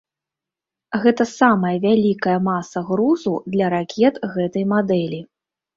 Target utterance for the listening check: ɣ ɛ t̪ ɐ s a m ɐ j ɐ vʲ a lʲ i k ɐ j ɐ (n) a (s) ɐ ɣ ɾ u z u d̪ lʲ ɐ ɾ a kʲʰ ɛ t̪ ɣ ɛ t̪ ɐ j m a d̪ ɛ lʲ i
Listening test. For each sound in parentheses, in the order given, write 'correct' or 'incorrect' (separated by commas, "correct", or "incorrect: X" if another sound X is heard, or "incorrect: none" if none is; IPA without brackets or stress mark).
incorrect: m, correct